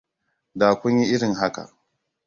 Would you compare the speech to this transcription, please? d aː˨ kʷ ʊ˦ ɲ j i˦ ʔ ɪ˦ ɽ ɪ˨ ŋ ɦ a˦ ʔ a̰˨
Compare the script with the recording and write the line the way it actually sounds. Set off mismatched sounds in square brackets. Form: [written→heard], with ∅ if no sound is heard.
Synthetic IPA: d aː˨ kʷ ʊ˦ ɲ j i˦ ʔ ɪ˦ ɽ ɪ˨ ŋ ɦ a˦ [ʔ→k] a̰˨

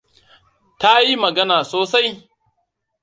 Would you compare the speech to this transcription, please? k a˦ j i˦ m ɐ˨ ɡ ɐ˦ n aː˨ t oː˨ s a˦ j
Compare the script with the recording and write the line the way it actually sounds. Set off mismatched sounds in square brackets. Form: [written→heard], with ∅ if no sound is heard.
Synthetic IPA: [k→t] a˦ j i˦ m ɐ˨ ɡ ɐ˦ n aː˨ [t→s] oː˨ s a˦ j

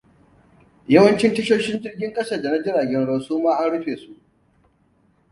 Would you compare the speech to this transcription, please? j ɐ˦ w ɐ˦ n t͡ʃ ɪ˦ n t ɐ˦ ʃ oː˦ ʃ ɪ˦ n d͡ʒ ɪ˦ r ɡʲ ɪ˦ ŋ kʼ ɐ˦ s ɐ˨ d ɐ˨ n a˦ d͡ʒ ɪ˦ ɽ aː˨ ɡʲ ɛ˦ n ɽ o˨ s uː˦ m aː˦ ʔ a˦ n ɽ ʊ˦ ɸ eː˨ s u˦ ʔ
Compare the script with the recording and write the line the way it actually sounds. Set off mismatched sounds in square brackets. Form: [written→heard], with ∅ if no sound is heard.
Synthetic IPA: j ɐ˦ w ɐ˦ n t͡ʃ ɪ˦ n t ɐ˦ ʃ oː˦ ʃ ɪ˦ n d͡ʒ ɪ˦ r ɡʲ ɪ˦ ŋ kʼ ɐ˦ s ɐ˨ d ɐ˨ n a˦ d͡ʒ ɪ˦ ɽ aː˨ ɡʲ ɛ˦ n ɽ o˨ s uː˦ m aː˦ ʔ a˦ n ɽ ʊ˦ ɸ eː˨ s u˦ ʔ

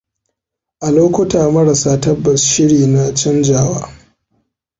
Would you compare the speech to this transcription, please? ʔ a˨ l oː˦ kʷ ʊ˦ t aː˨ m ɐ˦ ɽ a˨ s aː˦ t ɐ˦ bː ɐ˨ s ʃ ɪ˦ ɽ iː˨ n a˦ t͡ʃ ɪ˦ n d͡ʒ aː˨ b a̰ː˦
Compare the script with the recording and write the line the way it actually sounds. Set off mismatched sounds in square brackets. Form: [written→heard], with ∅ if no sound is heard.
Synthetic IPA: ʔ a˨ l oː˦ kʷ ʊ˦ t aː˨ m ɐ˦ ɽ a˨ s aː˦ t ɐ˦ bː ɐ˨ s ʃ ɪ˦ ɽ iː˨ n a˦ t͡ʃ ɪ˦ n d͡ʒ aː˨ [b→w] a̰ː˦

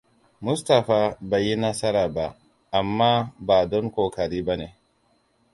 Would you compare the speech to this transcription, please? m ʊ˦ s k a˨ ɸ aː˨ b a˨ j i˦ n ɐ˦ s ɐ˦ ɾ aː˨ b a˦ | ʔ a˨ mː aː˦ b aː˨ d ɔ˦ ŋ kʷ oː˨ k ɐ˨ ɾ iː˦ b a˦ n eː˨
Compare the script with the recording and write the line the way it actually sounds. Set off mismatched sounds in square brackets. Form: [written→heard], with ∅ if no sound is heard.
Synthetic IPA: m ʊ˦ s [k→t] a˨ ɸ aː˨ b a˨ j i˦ n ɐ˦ s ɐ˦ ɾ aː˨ b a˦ | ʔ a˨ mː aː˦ b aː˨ d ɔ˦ ŋ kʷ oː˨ k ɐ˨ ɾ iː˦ b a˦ n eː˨

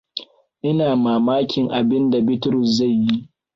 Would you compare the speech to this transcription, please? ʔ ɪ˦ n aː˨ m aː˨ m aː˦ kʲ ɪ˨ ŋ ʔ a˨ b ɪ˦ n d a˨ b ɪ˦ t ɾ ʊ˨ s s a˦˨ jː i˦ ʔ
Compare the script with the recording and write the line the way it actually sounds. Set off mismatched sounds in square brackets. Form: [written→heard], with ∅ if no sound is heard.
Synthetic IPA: ʔ ɪ˦ n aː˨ m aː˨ m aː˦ kʲ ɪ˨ ŋ ʔ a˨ b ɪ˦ n d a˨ b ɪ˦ t ɾ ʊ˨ s [s→z] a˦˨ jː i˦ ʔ

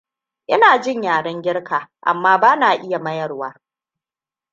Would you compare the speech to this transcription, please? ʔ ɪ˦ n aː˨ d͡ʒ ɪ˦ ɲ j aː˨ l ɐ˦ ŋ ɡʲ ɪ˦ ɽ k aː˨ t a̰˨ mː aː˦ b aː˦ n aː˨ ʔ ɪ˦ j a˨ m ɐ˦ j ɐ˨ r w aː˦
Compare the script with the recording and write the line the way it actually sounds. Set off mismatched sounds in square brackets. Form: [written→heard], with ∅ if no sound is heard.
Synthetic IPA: ʔ ɪ˦ n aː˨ d͡ʒ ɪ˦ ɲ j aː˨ [l→ɽ] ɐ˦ ŋ ɡʲ ɪ˦ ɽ k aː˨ [t→ʔ] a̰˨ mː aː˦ b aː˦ n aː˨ ʔ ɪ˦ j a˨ m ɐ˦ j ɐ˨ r w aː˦

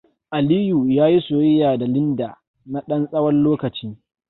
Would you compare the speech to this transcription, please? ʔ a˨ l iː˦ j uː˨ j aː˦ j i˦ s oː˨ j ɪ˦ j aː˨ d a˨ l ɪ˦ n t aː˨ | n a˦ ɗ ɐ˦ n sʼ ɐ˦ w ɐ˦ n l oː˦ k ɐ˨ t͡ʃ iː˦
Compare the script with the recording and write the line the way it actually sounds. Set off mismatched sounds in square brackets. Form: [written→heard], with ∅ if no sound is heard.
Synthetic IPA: ʔ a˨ l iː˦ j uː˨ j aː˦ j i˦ s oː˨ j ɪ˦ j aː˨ d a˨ l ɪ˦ n [t→d] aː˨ | n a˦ ɗ ɐ˦ n sʼ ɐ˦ w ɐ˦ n l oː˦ k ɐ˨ t͡ʃ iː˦

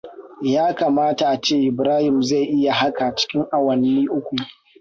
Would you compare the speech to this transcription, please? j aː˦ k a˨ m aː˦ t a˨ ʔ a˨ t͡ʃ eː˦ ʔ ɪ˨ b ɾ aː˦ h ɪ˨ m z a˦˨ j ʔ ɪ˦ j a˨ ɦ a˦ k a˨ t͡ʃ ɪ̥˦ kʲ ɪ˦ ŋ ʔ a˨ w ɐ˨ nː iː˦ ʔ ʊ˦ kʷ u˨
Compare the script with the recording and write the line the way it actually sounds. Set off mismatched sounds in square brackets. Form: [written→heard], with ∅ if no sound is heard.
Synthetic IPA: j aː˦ k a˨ m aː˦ t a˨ ʔ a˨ t͡ʃ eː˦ ʔ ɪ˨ b ɾ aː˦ h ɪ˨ m z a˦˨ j ʔ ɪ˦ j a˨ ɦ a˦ k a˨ t͡ʃ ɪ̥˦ kʲ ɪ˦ ŋ ʔ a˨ w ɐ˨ nː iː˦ ʔ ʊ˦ kʷ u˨

